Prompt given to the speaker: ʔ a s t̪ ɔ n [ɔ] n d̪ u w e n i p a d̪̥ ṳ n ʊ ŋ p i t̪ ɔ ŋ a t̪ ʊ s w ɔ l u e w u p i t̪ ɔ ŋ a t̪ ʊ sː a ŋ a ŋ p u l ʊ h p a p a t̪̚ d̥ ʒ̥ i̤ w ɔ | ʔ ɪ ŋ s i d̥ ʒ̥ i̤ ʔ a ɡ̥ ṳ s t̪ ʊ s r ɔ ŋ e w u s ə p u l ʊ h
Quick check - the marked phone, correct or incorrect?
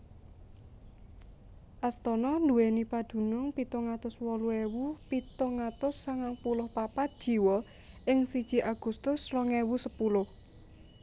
correct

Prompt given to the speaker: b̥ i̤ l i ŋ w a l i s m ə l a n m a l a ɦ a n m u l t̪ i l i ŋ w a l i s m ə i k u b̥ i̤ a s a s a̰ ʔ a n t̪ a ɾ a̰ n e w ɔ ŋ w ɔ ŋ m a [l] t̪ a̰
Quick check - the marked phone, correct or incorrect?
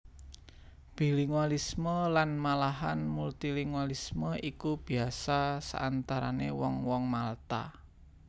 correct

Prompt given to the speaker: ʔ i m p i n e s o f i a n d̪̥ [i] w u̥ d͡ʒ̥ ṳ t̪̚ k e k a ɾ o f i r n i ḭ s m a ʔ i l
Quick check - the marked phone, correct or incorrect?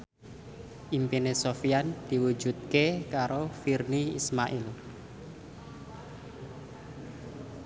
correct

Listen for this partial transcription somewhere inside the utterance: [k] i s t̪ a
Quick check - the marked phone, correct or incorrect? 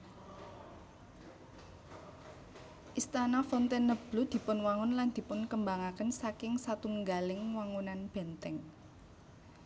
incorrect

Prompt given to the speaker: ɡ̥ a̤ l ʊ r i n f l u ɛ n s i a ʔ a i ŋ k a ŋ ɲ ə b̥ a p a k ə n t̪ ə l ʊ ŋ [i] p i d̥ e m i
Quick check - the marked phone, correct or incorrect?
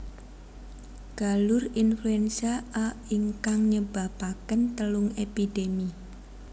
incorrect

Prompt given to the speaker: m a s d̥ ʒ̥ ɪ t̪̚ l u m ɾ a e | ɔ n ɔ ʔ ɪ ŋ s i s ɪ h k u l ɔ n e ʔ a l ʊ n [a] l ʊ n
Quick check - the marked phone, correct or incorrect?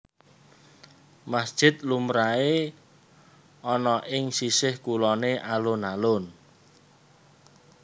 correct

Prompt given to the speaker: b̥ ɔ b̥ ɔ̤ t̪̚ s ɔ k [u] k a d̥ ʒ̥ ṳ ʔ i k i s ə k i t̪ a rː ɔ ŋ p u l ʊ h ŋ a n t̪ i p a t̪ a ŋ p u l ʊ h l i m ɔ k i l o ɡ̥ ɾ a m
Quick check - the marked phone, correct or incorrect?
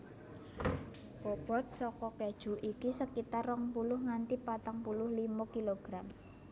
incorrect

